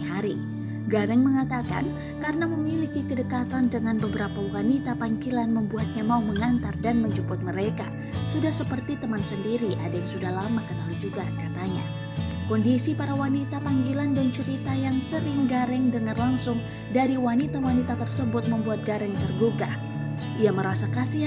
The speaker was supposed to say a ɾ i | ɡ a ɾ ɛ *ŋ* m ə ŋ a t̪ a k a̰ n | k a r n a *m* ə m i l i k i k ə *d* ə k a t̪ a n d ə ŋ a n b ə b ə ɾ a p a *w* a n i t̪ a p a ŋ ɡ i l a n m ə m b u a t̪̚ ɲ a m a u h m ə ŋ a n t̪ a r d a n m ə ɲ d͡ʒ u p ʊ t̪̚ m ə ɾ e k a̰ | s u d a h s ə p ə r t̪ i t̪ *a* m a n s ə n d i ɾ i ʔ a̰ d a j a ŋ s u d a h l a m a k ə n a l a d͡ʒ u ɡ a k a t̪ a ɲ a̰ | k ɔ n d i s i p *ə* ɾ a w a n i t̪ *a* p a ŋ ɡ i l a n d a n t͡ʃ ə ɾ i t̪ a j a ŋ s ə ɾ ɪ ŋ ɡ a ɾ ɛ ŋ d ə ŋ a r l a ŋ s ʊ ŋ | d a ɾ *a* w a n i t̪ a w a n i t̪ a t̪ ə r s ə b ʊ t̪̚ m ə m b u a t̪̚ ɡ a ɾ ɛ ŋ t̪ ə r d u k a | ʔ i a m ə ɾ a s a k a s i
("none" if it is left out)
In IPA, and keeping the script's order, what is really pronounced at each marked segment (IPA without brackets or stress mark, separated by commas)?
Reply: ŋ, m, d, w, ə, a, a, i